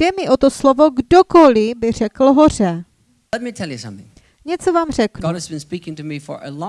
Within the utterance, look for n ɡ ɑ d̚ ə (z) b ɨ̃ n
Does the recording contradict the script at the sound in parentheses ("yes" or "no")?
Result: no